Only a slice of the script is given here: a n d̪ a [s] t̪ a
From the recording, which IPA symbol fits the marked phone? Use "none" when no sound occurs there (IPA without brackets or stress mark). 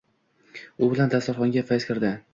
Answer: s